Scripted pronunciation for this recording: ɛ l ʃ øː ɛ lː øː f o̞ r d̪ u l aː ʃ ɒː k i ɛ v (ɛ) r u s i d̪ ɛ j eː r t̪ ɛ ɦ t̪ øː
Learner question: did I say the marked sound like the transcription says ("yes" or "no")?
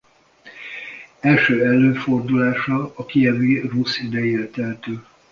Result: no